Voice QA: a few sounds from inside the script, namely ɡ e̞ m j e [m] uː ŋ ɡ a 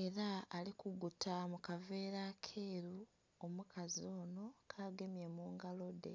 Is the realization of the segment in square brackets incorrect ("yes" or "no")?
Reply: no